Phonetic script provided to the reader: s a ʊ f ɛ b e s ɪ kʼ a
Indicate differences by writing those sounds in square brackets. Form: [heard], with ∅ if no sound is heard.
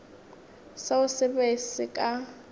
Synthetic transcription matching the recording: s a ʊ [s] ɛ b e s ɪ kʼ a

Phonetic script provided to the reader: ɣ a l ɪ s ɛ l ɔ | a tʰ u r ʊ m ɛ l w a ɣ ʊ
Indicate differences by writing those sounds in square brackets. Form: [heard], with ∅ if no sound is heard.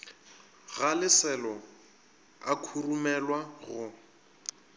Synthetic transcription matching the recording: ɣ a l ɪ s ɛ l ɔ | a [kʰ] u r [u] m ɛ l w a ɣ ʊ

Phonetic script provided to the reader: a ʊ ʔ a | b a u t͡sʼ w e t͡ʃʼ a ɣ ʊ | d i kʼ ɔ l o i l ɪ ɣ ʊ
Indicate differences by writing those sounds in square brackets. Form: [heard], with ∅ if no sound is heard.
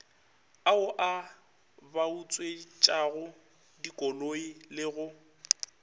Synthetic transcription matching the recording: a ʊ ʔ a | b a u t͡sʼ w e t͡ʃʼ a ɣ ʊ | d i kʼ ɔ l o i l ɪ ɣ ʊ

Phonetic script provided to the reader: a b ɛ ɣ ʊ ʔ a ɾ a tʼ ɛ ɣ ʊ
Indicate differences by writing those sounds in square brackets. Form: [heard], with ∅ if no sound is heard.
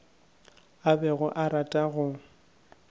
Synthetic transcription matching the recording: a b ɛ ɣ ʊ ʔ a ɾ a tʼ [a] ɣ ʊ

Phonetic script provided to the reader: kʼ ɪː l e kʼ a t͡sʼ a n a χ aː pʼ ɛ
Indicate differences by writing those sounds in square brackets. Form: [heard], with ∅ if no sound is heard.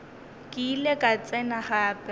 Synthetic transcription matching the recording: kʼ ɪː l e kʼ a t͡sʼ [ɛ] n a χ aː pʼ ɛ

